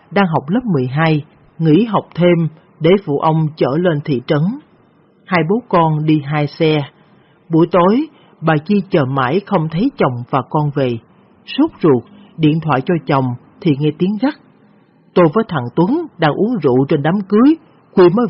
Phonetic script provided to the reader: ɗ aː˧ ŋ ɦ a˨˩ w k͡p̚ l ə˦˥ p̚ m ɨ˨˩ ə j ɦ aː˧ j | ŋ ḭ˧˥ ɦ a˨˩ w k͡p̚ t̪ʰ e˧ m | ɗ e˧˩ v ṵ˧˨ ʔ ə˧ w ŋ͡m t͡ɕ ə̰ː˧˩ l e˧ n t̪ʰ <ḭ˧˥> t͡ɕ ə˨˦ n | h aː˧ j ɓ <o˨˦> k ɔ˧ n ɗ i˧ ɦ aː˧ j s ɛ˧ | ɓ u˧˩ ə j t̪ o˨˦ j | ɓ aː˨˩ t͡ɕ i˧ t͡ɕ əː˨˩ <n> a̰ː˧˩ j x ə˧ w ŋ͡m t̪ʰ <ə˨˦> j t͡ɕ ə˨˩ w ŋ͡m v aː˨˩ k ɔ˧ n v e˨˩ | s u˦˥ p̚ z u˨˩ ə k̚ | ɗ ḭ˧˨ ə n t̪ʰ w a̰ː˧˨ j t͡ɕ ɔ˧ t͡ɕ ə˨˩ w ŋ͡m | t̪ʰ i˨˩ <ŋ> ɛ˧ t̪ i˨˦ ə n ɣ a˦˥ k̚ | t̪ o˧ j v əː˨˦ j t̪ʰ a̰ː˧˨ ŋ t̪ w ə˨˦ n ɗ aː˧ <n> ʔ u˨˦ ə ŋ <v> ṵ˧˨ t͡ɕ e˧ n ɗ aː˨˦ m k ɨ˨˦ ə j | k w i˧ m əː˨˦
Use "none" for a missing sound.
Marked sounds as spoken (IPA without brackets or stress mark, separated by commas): ḭ˧˨, o˨˦, m, ə˨˦, ŋ, ŋ, z